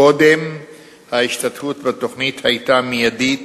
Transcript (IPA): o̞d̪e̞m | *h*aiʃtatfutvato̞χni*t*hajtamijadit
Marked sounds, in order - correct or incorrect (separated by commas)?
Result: correct, correct